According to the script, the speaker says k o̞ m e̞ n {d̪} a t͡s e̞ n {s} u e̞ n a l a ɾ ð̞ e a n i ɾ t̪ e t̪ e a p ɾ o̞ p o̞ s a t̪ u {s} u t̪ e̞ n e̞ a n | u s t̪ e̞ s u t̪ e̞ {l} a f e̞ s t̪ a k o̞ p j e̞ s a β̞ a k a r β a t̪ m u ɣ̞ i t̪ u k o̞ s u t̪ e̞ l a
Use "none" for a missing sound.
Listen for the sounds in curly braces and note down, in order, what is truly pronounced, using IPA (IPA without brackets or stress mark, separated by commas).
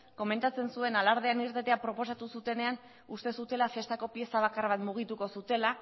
t̪, s, s, l